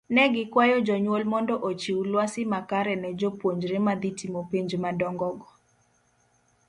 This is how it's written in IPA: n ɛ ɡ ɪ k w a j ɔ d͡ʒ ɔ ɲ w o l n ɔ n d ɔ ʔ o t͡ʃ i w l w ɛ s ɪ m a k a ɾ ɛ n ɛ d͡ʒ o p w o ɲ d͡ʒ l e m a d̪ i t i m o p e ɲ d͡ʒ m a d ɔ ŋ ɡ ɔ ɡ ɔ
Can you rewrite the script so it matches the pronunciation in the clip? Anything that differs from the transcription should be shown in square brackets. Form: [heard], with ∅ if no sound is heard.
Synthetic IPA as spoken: n ɛ ɡ ɪ k w a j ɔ d͡ʒ ɔ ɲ w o l [m] ɔ n d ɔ ʔ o t͡ʃ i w l w [a] s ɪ m a k a ɾ ɛ n ɛ d͡ʒ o p w o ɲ d͡ʒ [ɾ] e m a d̪ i t i m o p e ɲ d͡ʒ m a d ɔ ŋ ɡ ɔ ɡ ɔ